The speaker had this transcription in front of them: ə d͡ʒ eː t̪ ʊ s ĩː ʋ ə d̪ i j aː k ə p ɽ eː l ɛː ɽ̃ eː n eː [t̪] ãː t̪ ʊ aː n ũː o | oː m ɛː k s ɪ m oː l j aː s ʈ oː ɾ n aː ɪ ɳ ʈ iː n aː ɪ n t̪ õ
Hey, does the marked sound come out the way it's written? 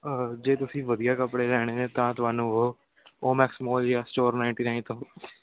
yes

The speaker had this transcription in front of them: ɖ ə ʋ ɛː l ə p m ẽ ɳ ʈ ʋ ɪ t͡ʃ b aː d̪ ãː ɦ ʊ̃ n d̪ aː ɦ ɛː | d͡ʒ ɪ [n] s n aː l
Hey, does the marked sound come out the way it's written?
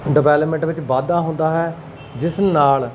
no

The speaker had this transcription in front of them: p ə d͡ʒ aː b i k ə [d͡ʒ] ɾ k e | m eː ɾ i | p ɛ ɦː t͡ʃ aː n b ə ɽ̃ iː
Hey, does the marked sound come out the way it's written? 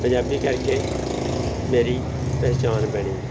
no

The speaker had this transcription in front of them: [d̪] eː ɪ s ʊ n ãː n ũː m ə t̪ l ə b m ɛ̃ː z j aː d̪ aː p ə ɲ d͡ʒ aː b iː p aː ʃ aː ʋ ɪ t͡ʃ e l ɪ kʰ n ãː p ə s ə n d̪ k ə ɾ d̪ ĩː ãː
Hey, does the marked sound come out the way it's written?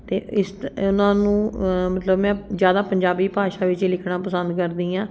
no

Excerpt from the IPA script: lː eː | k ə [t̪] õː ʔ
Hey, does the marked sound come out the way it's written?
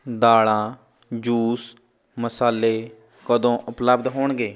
no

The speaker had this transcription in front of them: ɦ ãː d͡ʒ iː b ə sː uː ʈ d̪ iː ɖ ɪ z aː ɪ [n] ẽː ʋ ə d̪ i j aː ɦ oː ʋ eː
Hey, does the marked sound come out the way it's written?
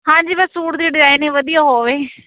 yes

